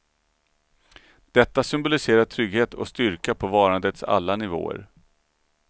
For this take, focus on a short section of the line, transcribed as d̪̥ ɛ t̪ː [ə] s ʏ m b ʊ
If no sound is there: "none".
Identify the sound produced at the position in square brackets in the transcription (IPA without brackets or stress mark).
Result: a